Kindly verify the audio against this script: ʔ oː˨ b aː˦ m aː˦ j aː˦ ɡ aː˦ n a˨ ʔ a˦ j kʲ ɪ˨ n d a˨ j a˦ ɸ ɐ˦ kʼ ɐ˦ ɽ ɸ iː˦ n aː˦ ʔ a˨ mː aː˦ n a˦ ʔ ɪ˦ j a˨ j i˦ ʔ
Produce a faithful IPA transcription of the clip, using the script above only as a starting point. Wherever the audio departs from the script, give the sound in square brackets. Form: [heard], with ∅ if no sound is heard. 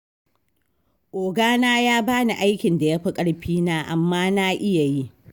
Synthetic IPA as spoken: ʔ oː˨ [ɡ] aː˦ [n] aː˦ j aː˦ [b] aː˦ n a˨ ʔ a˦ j kʲ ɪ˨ n d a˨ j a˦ ɸ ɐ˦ kʼ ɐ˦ ɽ ɸ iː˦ n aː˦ ʔ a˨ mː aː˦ n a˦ ʔ ɪ˦ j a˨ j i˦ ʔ